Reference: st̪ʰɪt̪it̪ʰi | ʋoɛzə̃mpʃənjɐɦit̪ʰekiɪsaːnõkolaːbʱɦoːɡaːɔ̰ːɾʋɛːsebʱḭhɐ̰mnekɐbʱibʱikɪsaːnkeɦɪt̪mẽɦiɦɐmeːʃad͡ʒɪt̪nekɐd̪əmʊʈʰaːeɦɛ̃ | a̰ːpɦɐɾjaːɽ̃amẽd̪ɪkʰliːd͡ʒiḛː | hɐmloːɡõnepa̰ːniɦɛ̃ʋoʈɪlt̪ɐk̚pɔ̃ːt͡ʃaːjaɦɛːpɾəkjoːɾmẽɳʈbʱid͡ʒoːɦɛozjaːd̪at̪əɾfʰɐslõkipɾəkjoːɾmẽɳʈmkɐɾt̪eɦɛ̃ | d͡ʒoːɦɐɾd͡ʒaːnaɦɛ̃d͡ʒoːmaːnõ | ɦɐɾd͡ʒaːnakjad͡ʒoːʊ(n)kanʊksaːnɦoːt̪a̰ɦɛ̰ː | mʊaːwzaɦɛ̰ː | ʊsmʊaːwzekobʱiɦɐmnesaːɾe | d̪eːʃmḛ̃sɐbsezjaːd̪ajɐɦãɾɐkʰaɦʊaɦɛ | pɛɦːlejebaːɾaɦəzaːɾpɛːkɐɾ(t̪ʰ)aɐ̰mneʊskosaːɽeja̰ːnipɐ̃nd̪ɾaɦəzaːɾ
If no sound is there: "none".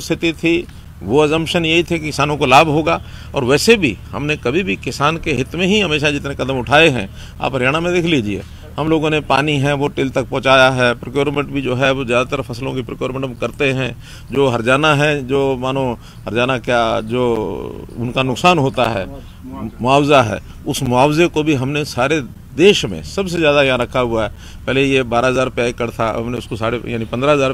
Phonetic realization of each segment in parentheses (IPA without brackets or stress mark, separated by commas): n, t̪ʰ